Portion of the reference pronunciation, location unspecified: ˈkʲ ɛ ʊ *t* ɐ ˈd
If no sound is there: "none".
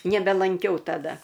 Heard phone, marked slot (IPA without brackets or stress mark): t